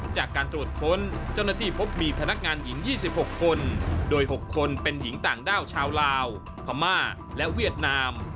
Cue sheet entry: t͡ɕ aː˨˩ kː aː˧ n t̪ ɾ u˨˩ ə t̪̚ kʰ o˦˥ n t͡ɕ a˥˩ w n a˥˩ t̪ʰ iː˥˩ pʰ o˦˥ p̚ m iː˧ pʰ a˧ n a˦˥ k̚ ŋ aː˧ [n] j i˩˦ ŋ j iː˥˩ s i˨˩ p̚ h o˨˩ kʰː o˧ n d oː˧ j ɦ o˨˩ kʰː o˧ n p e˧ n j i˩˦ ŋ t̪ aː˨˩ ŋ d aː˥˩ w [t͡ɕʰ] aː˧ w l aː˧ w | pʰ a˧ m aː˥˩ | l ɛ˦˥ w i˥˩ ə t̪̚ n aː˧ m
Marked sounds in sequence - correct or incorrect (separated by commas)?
correct, correct